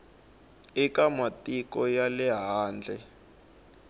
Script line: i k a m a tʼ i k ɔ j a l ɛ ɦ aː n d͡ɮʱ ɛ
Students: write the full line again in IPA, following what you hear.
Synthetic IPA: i k a m a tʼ i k ɔ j a l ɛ ɦ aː n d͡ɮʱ ɛ